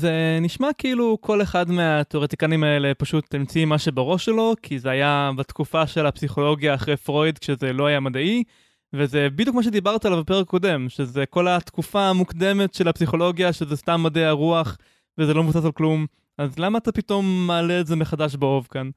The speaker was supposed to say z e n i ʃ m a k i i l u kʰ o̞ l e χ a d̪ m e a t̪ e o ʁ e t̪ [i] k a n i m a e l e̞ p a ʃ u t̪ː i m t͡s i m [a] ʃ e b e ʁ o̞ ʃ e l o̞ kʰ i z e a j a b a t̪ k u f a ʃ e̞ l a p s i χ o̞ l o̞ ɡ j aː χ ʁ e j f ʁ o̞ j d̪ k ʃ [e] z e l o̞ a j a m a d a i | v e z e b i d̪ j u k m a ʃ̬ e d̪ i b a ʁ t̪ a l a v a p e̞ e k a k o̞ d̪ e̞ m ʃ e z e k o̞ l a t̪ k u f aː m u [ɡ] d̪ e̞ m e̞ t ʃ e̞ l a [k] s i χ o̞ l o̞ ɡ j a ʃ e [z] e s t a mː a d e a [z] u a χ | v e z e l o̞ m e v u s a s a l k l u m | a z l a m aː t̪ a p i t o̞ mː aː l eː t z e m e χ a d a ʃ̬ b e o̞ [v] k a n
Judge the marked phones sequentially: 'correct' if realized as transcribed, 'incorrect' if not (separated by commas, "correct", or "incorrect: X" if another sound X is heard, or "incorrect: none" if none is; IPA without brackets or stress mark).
correct, correct, correct, incorrect: k, incorrect: p, correct, incorrect: ʁ, correct